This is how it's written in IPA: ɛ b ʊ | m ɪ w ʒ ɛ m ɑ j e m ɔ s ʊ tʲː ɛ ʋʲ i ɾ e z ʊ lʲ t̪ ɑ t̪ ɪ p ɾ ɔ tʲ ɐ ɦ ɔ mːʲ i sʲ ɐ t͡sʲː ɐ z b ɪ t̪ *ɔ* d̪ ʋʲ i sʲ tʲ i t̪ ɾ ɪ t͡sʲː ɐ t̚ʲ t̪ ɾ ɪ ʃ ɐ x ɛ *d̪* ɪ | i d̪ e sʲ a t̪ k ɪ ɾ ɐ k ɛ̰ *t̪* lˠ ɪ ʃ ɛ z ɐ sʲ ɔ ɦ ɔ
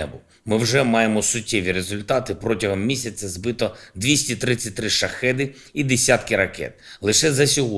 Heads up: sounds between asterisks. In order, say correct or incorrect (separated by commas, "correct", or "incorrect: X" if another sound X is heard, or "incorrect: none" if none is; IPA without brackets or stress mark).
correct, correct, correct